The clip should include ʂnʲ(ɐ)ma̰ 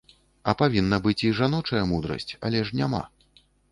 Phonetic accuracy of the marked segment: incorrect: a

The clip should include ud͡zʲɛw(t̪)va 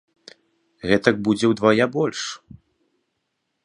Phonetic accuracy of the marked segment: incorrect: d̪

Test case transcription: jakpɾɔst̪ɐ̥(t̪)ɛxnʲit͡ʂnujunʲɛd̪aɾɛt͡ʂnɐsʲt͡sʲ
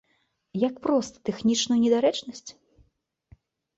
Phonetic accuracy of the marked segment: correct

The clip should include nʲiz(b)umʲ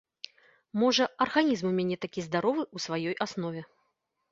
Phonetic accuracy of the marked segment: incorrect: m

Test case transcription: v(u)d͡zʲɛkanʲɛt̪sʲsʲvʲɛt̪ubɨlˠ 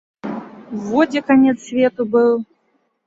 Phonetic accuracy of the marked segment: incorrect: ɔ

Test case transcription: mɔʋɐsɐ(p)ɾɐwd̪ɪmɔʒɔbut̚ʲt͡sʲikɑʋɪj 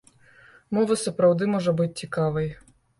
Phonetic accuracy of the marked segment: correct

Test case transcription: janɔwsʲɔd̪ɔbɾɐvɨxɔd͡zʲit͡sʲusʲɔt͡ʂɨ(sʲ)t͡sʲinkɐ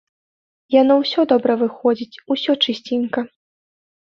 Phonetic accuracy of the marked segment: correct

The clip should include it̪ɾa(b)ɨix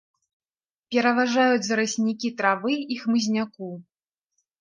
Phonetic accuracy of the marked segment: incorrect: v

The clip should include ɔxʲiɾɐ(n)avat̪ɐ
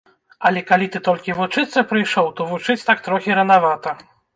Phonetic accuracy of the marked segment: correct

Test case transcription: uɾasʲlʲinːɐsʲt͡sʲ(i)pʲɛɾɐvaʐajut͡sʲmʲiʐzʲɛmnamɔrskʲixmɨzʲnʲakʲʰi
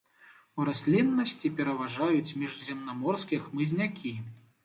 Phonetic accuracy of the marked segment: correct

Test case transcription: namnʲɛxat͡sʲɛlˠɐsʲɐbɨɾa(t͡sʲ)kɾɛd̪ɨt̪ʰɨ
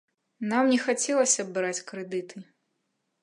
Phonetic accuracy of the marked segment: correct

